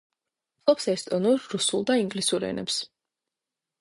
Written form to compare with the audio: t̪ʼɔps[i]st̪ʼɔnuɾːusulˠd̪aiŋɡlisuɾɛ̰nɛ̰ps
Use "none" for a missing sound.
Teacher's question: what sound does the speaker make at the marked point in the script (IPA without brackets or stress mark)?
ɛ